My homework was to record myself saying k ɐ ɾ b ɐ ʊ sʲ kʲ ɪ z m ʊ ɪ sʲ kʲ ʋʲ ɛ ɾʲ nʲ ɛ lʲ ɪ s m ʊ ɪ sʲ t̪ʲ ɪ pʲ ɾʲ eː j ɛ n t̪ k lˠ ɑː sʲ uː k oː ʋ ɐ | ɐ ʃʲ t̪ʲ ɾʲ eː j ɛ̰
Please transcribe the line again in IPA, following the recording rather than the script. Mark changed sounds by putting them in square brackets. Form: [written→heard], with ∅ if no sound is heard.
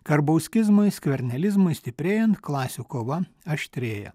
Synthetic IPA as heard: k ɐ ɾ b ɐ ʊ sʲ kʲ ɪ z m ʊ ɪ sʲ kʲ ʋʲ ɛ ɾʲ nʲ ɛ lʲ ɪ [s→z] m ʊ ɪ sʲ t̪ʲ ɪ pʲ ɾʲ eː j ɛ n t̪ k lˠ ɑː sʲ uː k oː ʋ ɐ | ɐ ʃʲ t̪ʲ ɾʲ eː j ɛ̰